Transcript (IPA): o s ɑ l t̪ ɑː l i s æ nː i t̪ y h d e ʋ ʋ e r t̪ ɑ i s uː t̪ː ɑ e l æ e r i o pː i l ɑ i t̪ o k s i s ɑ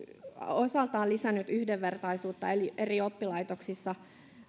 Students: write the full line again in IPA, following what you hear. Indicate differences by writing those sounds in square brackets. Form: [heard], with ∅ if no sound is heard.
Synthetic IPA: o s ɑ l t̪ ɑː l i s æ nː [y] t̪ y h d e ʋ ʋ e r t̪ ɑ i s uː t̪ː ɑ e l [i] e r i o pː i l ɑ i t̪ o k s i [sː] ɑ